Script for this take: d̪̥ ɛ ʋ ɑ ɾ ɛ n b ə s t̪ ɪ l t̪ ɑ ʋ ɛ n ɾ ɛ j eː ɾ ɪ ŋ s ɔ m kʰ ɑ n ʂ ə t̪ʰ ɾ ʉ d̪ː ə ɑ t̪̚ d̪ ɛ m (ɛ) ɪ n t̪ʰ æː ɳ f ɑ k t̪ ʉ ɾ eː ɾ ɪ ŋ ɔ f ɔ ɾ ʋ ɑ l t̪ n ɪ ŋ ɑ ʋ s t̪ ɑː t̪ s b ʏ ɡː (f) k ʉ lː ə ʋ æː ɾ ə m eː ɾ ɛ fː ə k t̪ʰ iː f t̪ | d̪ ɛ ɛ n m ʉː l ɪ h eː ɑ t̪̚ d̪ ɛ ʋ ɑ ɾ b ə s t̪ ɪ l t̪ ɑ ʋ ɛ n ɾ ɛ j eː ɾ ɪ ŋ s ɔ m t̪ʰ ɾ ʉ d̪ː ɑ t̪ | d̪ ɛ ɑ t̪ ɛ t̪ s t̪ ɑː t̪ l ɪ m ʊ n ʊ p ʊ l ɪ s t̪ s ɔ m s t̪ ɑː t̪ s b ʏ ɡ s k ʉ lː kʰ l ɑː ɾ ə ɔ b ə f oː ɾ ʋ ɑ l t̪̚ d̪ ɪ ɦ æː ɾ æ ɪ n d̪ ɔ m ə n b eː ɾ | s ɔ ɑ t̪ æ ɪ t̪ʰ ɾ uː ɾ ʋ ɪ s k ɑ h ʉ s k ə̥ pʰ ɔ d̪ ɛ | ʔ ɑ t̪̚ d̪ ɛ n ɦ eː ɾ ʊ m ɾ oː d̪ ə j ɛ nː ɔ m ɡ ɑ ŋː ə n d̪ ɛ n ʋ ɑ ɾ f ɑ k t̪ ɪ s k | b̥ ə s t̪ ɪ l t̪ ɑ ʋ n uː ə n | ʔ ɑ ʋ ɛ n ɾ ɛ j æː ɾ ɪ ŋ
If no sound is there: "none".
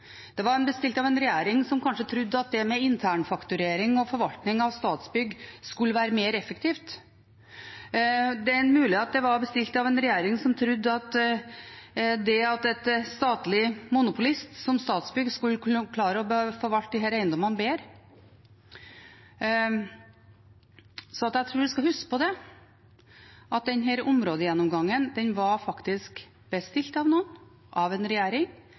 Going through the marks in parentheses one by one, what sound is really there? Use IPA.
ɛ, s

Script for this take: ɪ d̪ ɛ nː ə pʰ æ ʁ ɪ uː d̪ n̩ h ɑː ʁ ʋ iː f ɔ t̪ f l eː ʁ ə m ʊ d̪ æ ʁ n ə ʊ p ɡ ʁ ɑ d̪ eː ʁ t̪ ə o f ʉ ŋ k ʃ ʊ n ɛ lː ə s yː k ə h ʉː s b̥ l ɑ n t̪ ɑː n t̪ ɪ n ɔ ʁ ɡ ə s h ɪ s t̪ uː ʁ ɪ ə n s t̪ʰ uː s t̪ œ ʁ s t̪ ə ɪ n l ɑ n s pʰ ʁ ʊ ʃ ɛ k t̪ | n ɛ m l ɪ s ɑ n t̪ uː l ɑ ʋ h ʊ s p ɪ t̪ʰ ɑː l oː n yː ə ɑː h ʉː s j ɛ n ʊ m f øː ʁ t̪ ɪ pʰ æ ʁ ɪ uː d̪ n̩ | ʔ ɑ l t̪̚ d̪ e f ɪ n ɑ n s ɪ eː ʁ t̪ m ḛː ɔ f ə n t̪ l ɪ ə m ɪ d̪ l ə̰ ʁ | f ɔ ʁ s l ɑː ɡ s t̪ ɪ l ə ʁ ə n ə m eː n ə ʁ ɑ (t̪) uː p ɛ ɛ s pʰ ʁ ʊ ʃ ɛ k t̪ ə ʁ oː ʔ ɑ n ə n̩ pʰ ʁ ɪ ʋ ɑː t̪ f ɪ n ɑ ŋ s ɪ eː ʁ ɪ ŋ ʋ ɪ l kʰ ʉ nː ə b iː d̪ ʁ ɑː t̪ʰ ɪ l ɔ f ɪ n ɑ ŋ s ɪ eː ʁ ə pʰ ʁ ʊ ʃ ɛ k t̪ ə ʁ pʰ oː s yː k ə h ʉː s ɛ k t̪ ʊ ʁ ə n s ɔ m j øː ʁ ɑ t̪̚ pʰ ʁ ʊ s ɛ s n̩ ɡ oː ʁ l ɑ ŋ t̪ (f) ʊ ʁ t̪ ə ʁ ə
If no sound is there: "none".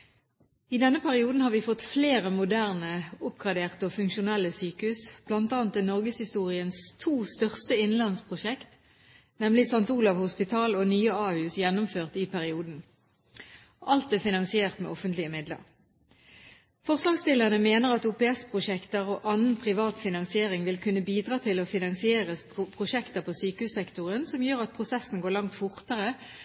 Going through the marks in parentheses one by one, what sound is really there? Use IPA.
t̪, f

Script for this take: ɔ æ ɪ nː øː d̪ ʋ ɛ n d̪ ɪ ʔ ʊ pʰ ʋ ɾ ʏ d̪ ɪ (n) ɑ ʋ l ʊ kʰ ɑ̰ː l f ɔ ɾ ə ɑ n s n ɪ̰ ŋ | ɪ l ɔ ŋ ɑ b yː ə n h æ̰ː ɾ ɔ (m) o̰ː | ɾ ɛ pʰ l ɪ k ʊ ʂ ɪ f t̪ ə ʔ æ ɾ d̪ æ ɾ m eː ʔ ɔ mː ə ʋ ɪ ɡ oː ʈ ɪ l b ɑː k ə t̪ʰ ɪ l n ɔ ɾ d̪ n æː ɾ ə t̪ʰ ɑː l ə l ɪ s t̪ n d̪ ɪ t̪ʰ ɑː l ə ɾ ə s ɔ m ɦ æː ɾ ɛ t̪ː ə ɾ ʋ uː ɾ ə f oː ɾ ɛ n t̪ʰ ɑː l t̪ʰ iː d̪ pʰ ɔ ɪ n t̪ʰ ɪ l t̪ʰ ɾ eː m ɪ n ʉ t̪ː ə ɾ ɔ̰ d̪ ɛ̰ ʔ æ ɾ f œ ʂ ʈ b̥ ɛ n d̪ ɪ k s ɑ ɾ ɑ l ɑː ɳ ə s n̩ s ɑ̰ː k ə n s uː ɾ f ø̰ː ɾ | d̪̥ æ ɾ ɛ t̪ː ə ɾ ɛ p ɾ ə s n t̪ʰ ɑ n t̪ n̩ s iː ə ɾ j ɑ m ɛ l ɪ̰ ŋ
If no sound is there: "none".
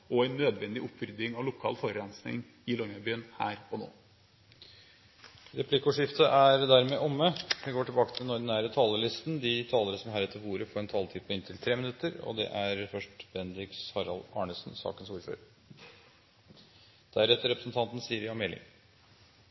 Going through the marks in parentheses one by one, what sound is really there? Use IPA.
ŋ, n

